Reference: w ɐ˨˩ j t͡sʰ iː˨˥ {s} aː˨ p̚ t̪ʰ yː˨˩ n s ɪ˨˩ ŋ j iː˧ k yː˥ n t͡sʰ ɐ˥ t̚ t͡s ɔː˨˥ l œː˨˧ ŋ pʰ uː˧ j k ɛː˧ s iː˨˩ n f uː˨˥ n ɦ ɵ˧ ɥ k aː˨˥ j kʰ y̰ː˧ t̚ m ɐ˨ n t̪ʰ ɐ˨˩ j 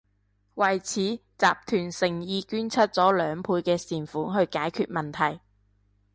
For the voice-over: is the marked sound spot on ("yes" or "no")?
no